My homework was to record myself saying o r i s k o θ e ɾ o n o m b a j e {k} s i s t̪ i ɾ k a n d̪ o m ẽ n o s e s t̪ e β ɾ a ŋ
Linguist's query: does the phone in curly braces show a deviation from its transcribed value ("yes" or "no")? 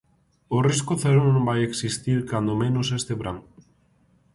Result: no